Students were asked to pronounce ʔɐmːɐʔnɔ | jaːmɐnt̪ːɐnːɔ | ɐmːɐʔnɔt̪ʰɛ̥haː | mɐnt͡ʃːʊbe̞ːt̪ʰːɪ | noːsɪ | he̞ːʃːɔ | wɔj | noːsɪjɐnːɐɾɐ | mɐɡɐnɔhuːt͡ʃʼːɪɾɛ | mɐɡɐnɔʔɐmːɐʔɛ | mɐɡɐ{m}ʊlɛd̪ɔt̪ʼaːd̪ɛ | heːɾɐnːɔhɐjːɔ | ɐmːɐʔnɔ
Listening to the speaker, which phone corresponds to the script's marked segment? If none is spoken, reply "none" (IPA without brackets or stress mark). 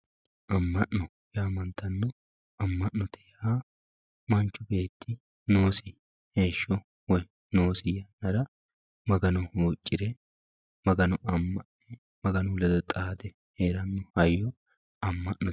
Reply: n